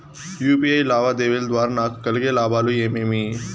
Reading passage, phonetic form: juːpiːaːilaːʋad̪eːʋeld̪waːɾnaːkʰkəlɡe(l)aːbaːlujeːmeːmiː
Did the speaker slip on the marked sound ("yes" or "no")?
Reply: no